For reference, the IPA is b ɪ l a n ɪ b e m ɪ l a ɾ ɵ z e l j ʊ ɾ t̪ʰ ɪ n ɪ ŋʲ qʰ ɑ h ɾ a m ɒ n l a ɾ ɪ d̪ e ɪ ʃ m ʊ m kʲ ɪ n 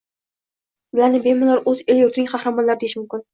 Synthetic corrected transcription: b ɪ l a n ɪ b e m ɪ l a ɾ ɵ z e l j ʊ ɾ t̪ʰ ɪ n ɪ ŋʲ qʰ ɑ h ɾ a m ɒ n l a ɾ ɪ d̪ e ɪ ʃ m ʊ m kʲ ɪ n